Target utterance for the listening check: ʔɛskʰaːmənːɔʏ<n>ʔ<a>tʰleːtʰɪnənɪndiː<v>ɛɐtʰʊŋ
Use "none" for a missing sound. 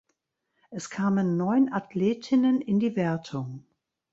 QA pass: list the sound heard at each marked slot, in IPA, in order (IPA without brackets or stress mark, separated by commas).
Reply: n, a, v